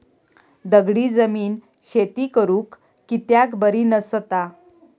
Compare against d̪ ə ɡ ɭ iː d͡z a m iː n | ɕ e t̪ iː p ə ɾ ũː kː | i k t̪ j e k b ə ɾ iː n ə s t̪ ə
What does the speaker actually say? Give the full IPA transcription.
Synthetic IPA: d̪ ə ɡ ɽ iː d͡z ə m iː n | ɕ e t̪ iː k ə ɾ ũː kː | i t̪ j a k b ə ɾ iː n ə s t̪ a